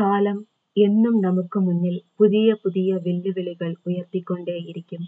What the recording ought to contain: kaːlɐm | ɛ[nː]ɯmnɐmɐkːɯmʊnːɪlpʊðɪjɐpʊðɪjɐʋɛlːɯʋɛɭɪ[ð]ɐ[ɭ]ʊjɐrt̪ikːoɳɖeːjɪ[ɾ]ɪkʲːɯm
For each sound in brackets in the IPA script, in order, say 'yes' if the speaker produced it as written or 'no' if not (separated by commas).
yes, no, yes, yes